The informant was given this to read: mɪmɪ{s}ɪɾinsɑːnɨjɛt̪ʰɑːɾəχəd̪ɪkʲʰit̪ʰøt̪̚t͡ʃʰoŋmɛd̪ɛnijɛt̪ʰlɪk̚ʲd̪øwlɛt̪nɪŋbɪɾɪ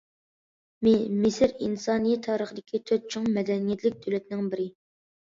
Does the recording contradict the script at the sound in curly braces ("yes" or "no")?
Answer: no